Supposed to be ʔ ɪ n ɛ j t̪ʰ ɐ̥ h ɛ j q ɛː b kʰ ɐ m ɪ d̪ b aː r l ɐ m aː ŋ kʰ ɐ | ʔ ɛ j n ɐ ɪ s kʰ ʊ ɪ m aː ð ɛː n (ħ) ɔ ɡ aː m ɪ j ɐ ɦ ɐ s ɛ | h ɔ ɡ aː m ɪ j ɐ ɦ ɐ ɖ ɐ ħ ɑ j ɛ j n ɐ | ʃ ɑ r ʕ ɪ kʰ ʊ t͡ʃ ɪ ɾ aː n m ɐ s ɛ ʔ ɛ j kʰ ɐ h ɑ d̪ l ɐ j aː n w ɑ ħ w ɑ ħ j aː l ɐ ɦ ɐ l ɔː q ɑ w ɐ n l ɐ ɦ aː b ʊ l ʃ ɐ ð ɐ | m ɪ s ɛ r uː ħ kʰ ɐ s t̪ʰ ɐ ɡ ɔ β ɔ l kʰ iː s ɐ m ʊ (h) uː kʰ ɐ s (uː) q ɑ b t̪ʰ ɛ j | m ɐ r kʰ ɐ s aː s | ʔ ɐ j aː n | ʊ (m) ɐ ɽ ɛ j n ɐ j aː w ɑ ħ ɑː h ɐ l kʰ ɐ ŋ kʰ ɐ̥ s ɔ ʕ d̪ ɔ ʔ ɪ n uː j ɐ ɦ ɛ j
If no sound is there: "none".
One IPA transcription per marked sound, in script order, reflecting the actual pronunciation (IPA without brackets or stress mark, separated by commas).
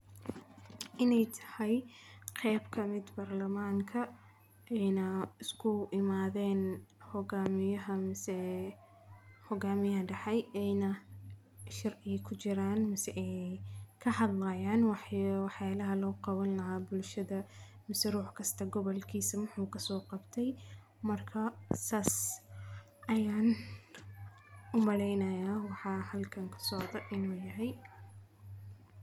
h, ħ, ɔː, m